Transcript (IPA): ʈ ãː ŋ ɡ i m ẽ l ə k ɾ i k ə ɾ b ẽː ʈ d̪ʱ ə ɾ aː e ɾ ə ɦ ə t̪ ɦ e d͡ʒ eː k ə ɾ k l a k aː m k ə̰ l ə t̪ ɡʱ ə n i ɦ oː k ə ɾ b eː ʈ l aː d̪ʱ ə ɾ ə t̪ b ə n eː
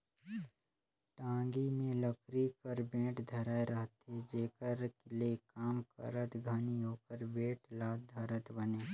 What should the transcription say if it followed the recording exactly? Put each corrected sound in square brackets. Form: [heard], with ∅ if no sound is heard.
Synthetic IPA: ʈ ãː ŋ ɡ i m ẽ l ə k ɾ i k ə ɾ b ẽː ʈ d̪ʱ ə ɾ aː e ɾ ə ɦ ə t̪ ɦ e d͡ʒ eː k ə ɾ k l [e] k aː m k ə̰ [ɾ] ə t̪ ɡʱ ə n i ɦ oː k ə ɾ b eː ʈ l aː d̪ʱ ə ɾ ə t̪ b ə n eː